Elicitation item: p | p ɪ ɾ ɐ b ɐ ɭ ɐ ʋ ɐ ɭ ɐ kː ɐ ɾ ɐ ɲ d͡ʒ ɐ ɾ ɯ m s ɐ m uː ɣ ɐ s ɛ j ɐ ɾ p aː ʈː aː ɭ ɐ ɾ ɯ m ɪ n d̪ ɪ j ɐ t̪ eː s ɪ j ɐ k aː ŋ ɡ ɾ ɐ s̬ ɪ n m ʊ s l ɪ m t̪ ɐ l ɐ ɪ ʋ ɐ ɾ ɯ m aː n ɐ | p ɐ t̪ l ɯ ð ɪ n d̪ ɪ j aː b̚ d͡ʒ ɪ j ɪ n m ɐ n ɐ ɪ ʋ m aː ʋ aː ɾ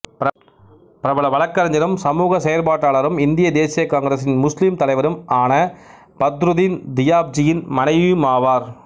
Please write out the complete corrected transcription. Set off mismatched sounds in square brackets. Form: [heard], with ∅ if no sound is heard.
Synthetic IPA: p | p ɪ ɾ ɐ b ɐ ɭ ɐ ʋ ɐ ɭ ɐ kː ɐ ɾ ɐ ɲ d͡ʒ ɐ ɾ ɯ m s ɐ m uː ɣ ɐ s ɛ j ɐ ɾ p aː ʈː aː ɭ ɐ ɾ ɯ m ɪ n d̪ ɪ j ɐ [d̪] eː s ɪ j ɐ k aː ŋ ɡ ɾ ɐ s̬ ɪ n m ʊ s l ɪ m t̪ ɐ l ɐ ɪ ʋ ɐ ɾ ɯ m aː n ɐ | p ɐ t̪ [ɾ] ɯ ð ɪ n d̪ ɪ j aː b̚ d͡ʒ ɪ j ɪ n m ɐ n ɐ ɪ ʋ m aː ʋ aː ɾ